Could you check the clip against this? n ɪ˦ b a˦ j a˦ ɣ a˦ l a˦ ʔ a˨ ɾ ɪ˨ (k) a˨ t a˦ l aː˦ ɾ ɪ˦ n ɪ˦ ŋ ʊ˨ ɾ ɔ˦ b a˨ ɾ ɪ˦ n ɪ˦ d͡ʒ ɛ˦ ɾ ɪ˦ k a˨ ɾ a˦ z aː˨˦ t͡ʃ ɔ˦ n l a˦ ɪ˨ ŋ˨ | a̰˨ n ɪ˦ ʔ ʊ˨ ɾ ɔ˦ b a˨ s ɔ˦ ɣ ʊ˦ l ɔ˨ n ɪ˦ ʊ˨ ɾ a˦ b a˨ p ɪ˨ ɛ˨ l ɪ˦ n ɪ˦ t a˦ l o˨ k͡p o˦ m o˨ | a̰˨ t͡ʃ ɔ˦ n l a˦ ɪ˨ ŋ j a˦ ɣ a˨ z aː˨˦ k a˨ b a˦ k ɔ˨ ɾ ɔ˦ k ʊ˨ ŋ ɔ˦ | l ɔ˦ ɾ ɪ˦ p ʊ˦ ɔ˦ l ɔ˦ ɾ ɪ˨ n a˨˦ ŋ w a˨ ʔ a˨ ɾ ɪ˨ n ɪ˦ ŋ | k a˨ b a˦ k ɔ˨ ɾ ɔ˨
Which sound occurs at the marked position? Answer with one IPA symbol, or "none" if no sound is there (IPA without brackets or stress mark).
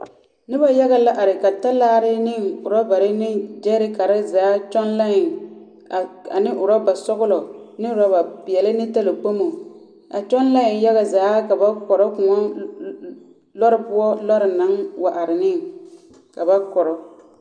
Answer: k